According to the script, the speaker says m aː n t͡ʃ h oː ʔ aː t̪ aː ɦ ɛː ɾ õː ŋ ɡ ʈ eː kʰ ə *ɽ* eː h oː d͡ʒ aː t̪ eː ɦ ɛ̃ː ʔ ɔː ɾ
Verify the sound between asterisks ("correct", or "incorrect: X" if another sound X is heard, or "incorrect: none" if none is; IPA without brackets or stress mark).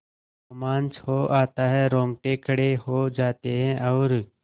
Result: correct